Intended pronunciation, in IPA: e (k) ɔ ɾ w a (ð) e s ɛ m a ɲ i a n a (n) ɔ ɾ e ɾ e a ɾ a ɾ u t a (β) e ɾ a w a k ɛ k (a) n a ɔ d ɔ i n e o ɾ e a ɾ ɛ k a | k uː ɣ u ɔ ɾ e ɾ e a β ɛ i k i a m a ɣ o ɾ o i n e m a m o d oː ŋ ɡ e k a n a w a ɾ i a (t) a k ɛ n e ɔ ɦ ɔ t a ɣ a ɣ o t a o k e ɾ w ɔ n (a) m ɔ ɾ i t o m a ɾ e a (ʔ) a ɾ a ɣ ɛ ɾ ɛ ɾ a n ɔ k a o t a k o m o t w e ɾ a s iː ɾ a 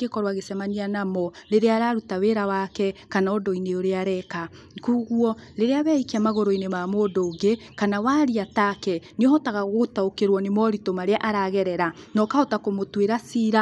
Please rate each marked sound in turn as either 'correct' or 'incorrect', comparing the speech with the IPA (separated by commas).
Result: correct, incorrect, incorrect, incorrect, correct, correct, incorrect, correct